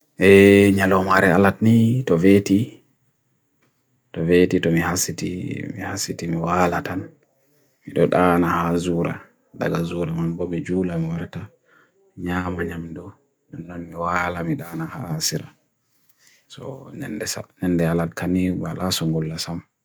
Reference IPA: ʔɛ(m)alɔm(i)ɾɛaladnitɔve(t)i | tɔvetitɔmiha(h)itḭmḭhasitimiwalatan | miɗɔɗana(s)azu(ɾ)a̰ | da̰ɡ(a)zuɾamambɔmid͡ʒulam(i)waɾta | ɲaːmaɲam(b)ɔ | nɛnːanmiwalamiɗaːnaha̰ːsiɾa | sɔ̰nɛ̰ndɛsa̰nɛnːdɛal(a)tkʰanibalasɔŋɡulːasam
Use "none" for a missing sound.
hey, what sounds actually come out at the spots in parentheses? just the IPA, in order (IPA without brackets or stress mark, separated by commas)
ɲ, a, t, s, h, ɾ, a, i, d, a